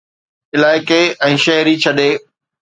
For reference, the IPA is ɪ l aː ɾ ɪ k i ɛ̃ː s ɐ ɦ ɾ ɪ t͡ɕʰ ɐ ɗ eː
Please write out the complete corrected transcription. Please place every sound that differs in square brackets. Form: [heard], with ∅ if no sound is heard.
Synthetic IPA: ɪ l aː [∅] ɪ k [e] ɛ̃ː [ʃ] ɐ ɦ ɾ [i] t͡ɕʰ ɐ ɗ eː